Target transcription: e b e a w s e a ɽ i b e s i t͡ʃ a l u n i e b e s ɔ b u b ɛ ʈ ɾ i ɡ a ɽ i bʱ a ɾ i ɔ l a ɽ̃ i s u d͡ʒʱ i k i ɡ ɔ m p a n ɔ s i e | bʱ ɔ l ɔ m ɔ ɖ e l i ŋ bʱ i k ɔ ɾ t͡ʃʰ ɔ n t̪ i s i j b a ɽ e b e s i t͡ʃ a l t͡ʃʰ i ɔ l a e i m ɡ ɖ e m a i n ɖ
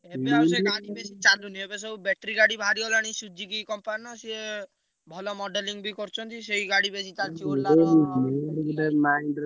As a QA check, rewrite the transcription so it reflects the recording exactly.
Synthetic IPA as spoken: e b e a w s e a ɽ i b e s i t͡ʃ a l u n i e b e s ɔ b u b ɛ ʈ ɾ i ɡ a ɽ i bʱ a ɾ i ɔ l a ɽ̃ i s u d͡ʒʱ i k i k ɔ m p a n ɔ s i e | bʱ ɔ l ɔ m ɔ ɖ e l i ŋ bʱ i k ɔ ɾ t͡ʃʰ ɔ n t̪ i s e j ɡ a ɽ i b e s i t͡ʃ a l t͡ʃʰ i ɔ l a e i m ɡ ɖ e m a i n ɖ